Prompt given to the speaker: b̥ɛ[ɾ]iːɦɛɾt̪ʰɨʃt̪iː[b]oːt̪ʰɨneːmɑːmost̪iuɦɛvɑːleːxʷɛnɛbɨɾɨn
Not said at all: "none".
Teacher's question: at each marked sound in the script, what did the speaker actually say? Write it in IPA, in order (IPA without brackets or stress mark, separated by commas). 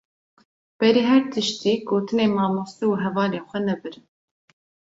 ɾ, ɡ